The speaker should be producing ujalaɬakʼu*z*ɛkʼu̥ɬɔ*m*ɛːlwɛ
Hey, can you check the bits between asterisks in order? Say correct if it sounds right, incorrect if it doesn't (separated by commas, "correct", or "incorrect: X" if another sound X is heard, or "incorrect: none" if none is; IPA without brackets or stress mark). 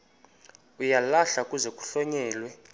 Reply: correct, incorrect: ɲ